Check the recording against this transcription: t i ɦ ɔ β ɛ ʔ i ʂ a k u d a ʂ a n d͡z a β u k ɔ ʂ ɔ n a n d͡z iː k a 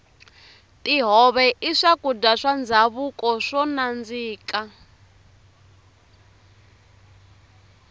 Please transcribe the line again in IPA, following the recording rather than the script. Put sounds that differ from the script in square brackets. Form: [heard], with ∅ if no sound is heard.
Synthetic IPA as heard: t i ɦ ɔ β ɛ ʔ i ʂ a k u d a ʂ a n d͡z a β u k ɔ ʂ ɔ n a n d͡z iː k a

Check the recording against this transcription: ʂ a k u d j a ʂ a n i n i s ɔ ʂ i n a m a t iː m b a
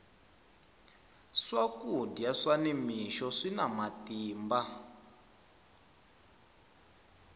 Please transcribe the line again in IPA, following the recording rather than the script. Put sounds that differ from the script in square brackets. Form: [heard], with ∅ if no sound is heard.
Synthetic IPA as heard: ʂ a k u d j a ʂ a n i [m] i [ʃ] ɔ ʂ i n a m a t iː m b a

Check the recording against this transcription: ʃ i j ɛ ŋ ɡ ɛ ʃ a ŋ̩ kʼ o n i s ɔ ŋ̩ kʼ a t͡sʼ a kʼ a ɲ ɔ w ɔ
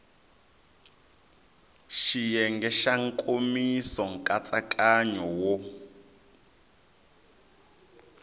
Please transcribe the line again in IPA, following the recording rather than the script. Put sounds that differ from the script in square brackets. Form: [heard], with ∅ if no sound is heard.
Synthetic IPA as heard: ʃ i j ɛ ŋ ɡ ɛ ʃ a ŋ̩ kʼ o [m] i s ɔ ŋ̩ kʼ a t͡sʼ a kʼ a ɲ ɔ w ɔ

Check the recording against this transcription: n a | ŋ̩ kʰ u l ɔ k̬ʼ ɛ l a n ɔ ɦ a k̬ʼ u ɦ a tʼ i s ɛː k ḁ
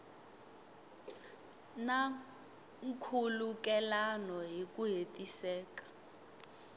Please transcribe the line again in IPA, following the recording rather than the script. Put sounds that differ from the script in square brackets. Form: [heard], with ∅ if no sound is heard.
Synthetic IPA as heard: n a | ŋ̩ kʰ u l [u] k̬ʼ ɛ l a n ɔ ɦ [i] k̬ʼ u ɦ [e] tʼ i s ɛː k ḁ

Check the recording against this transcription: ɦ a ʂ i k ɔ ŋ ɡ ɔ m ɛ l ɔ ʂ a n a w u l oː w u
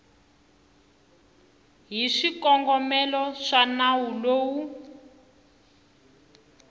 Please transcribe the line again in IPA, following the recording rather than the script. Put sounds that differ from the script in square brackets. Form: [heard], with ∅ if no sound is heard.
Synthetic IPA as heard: ɦ [i] ʂ i k ɔ ŋ ɡ ɔ m ɛ l ɔ ʂ a n a w u l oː w u

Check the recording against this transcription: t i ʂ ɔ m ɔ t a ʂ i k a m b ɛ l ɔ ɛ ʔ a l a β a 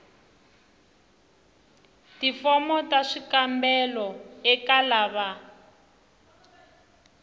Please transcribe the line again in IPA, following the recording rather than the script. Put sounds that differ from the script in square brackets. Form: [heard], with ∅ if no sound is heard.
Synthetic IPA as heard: t i [f] ɔ m ɔ t a ʂ i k a m b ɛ l ɔ ɛ [k] a l a β a

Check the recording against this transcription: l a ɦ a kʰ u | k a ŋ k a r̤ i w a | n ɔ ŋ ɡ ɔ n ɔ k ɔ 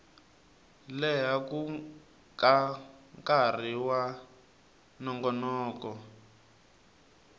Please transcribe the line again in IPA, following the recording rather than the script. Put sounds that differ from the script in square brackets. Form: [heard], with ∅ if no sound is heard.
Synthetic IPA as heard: l [ɛ] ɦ a [k] u | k a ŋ k a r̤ i w a | n ɔ ŋ ɡ ɔ n [ɔː] k ɔ

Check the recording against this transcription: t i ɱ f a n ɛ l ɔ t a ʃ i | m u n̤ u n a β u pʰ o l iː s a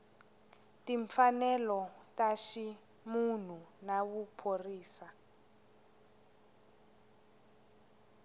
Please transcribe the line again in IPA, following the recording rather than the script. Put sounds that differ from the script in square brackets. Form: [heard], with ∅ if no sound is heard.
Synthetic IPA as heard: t i ɱ f a n ɛ l ɔ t a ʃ i | m u n̤ u n a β u pʰ o [r] iː s a

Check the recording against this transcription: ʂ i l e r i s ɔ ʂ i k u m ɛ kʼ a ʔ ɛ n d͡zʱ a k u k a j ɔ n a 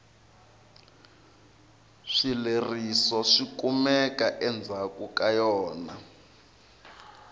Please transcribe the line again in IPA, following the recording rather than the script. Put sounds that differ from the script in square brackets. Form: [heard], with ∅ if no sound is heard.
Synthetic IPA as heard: ʂ i l e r i s ɔ ʂ i k u m ɛ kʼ a ʔ ɛ n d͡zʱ a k u k a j [ɔː] n a

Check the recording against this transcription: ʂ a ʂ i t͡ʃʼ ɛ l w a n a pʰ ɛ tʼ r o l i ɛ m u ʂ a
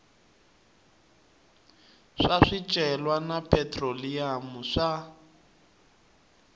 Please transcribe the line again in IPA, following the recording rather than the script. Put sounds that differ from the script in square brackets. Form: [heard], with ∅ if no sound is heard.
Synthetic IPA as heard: ʂ a ʂ i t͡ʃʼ ɛ l w a n a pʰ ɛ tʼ r o l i [a] m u ʂ a

